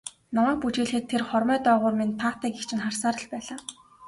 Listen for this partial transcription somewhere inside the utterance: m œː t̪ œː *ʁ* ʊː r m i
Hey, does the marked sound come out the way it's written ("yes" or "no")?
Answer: yes